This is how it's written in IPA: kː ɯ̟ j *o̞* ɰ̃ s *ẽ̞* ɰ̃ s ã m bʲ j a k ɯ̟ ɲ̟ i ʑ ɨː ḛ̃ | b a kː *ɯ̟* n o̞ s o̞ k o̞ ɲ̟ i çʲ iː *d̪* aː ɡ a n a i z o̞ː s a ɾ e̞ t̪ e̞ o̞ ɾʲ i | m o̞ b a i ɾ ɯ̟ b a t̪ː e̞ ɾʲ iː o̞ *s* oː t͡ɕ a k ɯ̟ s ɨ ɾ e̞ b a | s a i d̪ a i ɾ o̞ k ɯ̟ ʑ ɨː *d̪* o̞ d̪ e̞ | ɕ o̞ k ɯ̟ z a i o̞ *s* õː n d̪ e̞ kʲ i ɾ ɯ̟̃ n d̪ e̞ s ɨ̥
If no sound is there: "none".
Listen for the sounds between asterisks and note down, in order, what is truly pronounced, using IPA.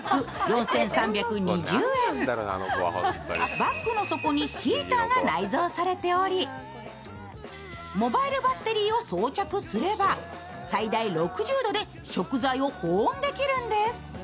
õ̞, ẽ̞, ɯ̟, t̪, s, d̪, h

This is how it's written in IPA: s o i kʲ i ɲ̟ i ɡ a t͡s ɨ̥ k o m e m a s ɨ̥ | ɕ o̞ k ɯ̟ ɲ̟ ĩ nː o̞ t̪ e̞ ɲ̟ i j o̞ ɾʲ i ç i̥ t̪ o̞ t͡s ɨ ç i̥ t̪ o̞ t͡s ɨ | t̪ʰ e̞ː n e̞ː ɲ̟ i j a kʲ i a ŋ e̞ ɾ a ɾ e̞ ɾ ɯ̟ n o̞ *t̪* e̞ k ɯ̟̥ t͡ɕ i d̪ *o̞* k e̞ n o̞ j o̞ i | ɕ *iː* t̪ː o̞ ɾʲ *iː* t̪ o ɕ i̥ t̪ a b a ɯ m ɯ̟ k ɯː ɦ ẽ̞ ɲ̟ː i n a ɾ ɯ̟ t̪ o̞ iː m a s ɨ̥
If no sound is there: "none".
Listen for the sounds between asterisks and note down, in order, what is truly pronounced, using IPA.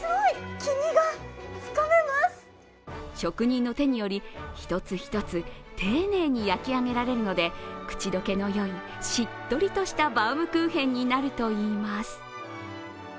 d̪, o̞, i, i

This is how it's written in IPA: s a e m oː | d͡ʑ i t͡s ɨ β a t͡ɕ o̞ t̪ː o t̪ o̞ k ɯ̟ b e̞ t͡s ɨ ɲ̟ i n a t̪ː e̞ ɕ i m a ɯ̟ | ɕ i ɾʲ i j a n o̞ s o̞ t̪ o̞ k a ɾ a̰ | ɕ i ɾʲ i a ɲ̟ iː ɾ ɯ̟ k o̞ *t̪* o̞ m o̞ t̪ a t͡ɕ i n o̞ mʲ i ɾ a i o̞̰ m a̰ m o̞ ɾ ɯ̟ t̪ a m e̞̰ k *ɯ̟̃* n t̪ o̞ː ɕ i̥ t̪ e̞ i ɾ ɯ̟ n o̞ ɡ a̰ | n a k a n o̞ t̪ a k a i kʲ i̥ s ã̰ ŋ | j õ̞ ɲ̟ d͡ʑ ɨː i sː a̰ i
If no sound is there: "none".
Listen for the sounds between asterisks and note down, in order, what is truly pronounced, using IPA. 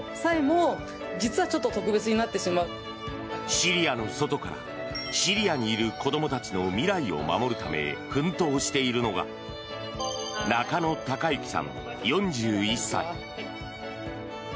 d̪, ɯ̟̃

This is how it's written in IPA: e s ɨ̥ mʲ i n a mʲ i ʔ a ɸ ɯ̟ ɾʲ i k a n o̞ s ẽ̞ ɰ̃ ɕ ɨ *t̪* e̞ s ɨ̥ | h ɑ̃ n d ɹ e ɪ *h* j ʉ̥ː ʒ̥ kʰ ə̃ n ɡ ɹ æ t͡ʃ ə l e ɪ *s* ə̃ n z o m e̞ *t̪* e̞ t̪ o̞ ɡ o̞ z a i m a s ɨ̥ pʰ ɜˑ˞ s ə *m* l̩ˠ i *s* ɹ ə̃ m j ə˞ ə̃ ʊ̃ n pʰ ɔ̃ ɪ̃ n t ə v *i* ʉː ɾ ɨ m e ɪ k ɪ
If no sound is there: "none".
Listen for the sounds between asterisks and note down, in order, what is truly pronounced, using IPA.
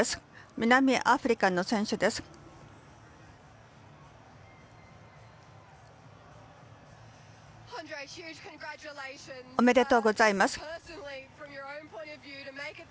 d̪, h, ʃ, d̪, n, f, j

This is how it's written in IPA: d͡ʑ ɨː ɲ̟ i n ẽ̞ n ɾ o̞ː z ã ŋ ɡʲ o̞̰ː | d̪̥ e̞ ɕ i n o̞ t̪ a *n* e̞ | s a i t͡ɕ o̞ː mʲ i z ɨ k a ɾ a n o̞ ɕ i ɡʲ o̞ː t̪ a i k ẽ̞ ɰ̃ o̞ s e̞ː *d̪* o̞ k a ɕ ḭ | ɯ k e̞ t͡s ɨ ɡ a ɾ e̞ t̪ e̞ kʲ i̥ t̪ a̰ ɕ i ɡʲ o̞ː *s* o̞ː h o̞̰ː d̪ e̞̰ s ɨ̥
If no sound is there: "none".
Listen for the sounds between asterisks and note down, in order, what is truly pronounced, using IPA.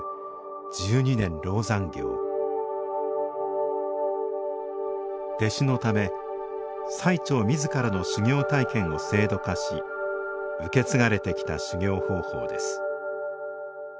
m, d̪, h

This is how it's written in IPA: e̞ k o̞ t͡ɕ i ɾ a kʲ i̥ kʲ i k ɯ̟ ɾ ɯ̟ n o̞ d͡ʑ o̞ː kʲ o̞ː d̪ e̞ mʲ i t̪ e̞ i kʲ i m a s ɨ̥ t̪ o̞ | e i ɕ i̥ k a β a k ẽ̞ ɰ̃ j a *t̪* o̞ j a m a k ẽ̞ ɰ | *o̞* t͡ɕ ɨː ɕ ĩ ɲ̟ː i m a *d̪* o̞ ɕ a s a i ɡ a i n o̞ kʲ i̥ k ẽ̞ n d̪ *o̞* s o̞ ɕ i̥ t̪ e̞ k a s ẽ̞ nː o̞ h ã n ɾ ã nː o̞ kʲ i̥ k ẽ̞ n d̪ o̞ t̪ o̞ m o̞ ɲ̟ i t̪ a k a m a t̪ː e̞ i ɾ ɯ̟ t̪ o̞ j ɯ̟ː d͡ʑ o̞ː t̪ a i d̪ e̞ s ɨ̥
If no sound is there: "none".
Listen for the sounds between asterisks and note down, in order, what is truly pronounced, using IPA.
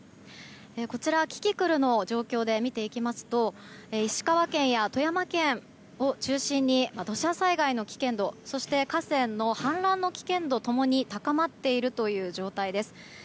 t̪, o̞, d̪, o̞

